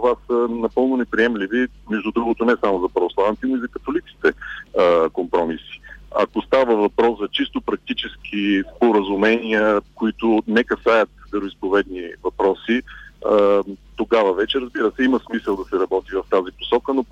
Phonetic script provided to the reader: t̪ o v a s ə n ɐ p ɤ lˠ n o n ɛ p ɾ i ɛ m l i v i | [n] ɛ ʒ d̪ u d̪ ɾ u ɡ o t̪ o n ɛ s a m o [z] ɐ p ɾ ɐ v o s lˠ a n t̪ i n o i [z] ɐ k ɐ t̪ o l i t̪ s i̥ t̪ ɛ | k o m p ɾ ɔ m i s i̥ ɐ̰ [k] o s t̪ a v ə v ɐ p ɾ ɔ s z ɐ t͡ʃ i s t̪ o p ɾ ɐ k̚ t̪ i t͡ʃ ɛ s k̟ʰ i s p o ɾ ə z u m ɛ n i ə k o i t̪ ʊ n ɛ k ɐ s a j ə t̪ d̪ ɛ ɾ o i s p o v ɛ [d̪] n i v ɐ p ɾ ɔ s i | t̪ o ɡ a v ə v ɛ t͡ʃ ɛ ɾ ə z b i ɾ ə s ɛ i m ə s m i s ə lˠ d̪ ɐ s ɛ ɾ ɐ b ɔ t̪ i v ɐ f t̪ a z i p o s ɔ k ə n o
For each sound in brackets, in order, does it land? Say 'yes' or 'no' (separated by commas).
no, yes, yes, yes, yes